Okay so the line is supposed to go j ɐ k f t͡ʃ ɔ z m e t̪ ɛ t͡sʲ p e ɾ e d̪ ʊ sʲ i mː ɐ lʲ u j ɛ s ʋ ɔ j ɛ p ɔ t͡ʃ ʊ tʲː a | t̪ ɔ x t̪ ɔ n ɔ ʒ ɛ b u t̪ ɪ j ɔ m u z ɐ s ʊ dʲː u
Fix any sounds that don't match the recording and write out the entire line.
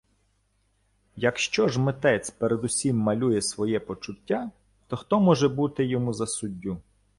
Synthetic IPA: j ɐ k ʃ t͡ʃ ɔ ʒ m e t̪ ɛ t͡sʲ p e ɾ e d̪ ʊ sʲ i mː ɐ lʲ u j ɛ s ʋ ɔ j ɛ p ɔ t͡ʃ ʊ tʲː a | t̪ ɔ x t̪ ɔ m ɔ ʒ ɛ b u t̪ ɪ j ɔ m u z ɐ s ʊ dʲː u